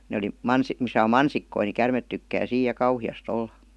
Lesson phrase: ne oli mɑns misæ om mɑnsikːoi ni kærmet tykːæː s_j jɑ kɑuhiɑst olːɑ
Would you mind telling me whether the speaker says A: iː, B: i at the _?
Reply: A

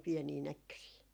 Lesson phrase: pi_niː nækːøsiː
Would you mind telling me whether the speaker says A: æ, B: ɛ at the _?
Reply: B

